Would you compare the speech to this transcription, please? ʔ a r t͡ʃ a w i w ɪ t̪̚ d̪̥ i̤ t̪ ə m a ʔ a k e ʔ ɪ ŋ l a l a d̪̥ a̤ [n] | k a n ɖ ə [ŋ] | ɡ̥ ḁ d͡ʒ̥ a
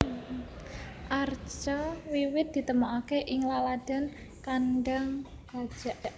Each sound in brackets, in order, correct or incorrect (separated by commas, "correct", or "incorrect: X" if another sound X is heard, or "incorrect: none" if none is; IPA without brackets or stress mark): correct, correct